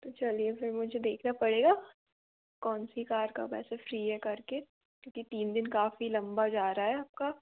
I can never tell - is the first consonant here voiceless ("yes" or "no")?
yes